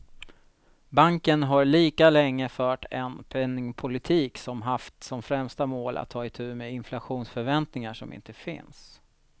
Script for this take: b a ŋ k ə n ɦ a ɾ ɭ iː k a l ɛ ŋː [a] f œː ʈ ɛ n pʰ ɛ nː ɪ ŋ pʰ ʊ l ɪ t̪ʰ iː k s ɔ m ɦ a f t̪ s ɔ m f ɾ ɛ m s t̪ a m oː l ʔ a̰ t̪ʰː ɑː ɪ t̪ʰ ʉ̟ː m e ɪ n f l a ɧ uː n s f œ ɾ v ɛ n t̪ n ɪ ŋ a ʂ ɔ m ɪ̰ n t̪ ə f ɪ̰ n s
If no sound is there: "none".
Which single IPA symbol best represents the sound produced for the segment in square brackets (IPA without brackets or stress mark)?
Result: ə